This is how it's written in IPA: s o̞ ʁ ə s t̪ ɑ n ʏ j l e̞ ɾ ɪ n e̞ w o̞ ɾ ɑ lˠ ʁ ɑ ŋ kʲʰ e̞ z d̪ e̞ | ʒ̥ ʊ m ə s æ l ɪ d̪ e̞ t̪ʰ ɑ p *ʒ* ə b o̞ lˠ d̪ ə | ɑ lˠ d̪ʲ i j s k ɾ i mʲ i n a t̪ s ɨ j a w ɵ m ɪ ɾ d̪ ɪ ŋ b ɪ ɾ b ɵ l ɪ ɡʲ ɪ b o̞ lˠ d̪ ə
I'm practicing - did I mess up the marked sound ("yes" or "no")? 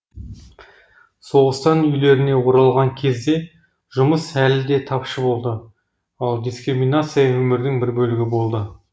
yes